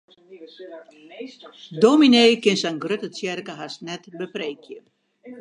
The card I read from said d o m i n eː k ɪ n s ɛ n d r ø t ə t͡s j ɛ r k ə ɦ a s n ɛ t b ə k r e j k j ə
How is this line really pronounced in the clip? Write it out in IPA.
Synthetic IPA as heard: d o m i n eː k ɪ n s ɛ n ɡ r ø t ə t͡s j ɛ r k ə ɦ a s n ɛ t b ə p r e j k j ə